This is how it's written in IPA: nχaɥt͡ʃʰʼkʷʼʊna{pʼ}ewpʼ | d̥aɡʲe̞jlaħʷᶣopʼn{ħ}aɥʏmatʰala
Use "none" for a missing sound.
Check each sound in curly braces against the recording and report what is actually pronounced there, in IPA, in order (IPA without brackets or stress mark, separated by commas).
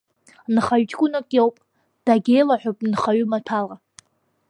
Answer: kʼ, χ